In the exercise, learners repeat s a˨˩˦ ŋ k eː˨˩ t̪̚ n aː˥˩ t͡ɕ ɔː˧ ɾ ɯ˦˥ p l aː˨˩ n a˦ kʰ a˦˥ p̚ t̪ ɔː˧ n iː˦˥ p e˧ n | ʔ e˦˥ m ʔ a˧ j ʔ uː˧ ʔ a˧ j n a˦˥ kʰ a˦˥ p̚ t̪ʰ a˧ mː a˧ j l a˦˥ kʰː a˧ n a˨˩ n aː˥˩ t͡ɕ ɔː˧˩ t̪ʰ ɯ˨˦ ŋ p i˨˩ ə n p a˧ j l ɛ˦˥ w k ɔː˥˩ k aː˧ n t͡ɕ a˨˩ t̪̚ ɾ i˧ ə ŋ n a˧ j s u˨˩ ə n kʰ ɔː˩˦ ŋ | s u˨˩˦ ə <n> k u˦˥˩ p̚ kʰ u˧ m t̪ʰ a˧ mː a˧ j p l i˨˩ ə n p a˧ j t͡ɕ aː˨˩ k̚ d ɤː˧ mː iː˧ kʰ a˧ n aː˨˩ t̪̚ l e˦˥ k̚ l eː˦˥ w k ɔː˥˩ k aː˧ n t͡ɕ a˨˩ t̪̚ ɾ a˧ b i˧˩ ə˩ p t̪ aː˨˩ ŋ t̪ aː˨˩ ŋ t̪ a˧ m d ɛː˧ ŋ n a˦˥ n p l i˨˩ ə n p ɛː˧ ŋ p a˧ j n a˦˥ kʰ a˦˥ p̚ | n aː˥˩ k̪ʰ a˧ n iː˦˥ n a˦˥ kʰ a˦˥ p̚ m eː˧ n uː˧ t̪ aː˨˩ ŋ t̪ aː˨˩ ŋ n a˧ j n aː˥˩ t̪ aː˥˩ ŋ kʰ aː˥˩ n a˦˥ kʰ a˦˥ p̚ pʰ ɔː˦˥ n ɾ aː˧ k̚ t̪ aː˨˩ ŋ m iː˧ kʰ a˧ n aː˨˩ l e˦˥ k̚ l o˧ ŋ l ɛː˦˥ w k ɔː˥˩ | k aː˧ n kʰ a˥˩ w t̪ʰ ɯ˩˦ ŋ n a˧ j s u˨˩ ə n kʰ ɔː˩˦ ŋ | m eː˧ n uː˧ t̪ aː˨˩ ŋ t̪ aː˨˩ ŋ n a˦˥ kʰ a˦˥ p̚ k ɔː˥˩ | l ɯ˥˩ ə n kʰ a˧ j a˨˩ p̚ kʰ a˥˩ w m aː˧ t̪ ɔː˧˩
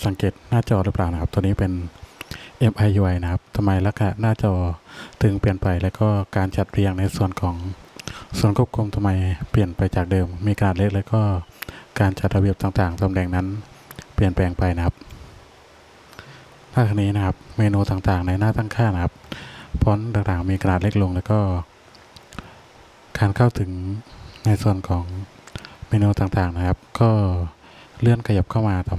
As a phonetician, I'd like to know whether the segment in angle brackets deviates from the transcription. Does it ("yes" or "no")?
no